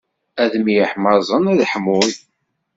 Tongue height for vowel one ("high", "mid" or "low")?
low